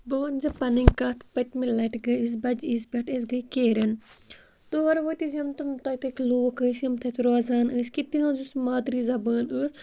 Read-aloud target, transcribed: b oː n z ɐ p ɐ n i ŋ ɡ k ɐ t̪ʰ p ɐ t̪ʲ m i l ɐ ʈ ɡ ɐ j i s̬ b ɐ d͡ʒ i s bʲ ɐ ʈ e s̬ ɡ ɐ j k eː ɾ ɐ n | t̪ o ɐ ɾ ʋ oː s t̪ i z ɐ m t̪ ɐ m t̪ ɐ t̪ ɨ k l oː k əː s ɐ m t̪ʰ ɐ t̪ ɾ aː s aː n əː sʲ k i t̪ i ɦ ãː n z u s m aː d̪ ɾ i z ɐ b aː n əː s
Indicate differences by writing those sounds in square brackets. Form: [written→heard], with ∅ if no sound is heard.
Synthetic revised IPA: b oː n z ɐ p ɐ n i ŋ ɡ k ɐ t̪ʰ p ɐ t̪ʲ m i l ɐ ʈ ɡ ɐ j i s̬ b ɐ d͡ʒ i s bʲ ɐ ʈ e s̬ ɡ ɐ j k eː ɾ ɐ n | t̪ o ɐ ɾ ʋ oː [s→∅] t̪ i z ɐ m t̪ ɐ m t̪ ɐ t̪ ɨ k l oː k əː s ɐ m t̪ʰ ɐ t̪ ɾ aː [s→z] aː n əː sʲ k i t̪ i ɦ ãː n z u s m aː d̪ ɾ i z ɐ b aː n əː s